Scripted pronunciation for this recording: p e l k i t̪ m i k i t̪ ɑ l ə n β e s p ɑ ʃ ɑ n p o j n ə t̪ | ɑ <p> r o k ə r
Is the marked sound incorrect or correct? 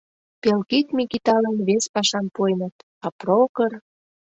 correct